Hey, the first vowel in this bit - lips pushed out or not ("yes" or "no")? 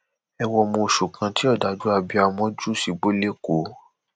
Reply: no